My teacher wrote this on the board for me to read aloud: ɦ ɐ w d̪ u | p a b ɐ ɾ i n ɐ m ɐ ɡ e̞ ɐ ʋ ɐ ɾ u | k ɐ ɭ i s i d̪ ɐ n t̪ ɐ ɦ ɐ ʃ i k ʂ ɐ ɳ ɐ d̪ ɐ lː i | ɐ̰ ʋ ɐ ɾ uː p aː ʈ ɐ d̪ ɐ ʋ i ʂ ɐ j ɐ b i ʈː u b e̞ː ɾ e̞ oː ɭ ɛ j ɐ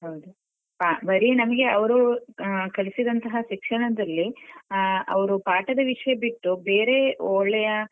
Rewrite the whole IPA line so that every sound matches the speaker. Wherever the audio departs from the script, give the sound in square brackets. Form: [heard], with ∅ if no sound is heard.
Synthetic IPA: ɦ ɐ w d̪ u | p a b ɐ ɾ i n ɐ m ɐ ɡ e̞ ɐ ʋ ɐ ɾ u | k ɐ ɭ i s i d̪ ɐ n t̪ ɐ ɦ ɐ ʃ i k ʂ ɐ ɳ ɐ d̪ ɐ lː i | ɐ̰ ʋ ɐ ɾ [u] p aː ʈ ɐ d̪ ɐ ʋ i ʂ ɐ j ɐ b i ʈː u b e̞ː ɾ e̞ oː ɭ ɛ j ɐ